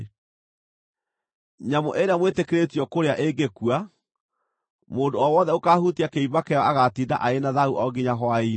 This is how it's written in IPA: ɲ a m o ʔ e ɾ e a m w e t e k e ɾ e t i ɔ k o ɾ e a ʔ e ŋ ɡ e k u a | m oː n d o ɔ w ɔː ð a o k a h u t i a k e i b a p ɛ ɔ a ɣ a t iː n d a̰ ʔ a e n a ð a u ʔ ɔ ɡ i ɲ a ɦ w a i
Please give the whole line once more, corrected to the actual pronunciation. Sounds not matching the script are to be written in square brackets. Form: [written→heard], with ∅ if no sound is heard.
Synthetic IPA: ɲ a m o ʔ e ɾ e a m w e t e k e ɾ e t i ɔ k o ɾ e a ʔ e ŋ ɡ e k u a | m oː n d o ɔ w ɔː ð [a→ɛ] o k a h u t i a k e i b a [p→k] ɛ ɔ a ɣ a t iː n d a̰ ʔ a e n a ð a u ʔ ɔ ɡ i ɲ a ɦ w a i

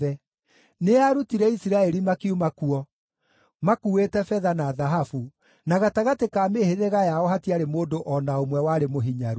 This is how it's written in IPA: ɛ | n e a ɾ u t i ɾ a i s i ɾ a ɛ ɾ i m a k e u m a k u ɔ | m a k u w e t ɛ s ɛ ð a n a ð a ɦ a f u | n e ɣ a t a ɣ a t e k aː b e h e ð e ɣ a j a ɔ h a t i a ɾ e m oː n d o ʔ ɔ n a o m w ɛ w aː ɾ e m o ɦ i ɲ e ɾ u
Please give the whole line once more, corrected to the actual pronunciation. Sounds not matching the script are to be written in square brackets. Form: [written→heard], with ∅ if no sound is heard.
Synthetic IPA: ɛ | n e a ɾ u t i ɾ [a→ɛ] i s i ɾ a ɛ ɾ i m a k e u m a k u ɔ | m a k u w e t ɛ [s→f] ɛ ð a n a ð a ɦ a f u | n [e→a] ɣ a t a ɣ a t e k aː [b→m] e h e ð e ɣ a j a ɔ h a t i a ɾ e m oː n d o ʔ ɔ n a o m w ɛ w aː ɾ e m o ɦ i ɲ [e→a] ɾ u

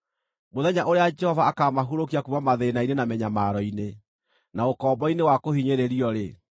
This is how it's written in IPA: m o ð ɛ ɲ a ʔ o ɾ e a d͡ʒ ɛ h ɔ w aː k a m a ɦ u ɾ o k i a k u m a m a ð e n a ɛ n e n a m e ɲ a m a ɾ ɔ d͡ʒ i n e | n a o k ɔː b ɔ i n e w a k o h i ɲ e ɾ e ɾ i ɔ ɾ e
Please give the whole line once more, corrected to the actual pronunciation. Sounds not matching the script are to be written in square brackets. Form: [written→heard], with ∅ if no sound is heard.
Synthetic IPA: m o ð ɛ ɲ a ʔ o ɾ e a d͡ʒ ɛ h ɔ [w→v] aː k a m a ɦ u ɾ o k i a k u m a m a ð e n a [ɛ→i] n e n a m [e→ɛ] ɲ a m a ɾ ɔ [d͡ʒ→∅] i n e | n a o k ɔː b ɔ i n e w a k o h i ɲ e ɾ e ɾ i ɔ ɾ e

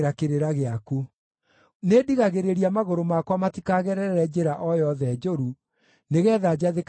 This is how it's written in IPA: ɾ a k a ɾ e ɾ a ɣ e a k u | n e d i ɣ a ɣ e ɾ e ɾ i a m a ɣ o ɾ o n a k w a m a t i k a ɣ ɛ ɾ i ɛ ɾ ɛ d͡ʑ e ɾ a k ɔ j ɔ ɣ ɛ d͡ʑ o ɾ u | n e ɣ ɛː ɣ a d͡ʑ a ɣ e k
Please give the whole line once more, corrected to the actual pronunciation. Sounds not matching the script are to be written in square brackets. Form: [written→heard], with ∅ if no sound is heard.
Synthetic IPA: ɾ a k [a→e] ɾ e ɾ a ɣ e a k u | n e d i ɣ a ɣ e ɾ e ɾ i a m a ɣ o ɾ o [n→m] a k w a m a t i k a ɣ ɛ ɾ [i→ɛ] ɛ ɾ ɛ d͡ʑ e ɾ a [k→ʔ] ɔ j ɔ [ɣ→ð] ɛ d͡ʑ o ɾ u | n e ɣ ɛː [ɣ→ð] a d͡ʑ a [ɣ→ð] e k

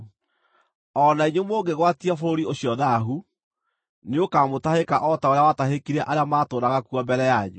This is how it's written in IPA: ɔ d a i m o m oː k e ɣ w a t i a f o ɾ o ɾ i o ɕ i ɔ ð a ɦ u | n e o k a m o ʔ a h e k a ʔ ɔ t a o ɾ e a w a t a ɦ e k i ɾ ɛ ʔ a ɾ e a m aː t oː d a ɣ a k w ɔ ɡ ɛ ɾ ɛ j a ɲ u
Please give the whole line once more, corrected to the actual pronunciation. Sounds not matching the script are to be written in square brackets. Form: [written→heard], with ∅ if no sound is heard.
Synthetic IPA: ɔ [d→n] a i [m→ɲ] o m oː [k→ɡ] e ɣ w a t i a f o ɾ o ɾ i o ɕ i ɔ ð a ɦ u | n e o k a m o [ʔ→t] a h e k a ʔ ɔ t a o ɾ e a w a t a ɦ e k i ɾ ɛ ʔ a ɾ e a m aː t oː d a ɣ a k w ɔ [ɡ→b] ɛ ɾ ɛ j a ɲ u

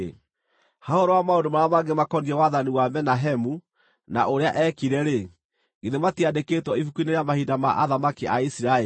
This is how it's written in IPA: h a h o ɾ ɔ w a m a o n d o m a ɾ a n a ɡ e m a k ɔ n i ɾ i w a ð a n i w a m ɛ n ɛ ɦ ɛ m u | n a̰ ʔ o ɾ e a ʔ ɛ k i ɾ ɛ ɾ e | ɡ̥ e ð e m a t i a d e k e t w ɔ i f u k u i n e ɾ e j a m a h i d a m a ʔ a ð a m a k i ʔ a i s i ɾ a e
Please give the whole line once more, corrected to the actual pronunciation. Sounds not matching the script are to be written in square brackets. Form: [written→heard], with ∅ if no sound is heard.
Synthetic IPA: h a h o ɾ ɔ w a m a o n d o m a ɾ a [n→m] a ɡ e m a k ɔ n i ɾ [i→ɛ] w a ð a n i w a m ɛ n [ɛ→a] ɦ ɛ m u | n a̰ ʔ o ɾ e a ʔ ɛ k i ɾ ɛ ɾ e | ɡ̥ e ð e m a t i a d e k e t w ɔ i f u k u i n e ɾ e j a m a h i d a m a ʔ a ð a m a k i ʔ a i s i ɾ a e

